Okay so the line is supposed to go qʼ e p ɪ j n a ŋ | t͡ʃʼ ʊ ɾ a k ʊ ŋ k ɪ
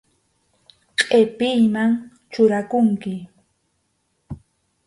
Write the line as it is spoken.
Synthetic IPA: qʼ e p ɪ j m a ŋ | t͡ʃ ʊ ɾ a k ʊ ŋ k ɪ